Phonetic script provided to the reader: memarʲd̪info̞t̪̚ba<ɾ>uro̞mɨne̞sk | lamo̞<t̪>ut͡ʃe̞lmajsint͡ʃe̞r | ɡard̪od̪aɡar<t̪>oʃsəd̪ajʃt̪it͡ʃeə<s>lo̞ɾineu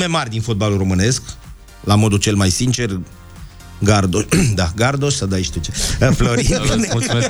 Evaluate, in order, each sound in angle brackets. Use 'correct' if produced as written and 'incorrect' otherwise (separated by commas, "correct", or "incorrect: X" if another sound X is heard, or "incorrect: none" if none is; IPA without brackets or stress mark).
incorrect: l, incorrect: d̪, incorrect: d̪, incorrect: f